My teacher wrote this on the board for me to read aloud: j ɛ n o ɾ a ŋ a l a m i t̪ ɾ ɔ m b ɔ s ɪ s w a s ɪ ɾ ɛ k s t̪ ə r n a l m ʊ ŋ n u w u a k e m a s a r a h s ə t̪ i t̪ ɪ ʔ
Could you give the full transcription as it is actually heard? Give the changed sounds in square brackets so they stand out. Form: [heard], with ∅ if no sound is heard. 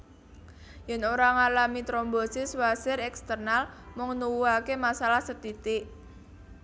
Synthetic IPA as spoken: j ɛ n o ɾ a ŋ a l a m i t̪ ɾ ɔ m b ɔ s ɪ s w a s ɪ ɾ ɛ k s t̪ ə r n a l m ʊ ŋ n u w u a k e m a s a [l] a h s ə t̪ i t̪ ɪ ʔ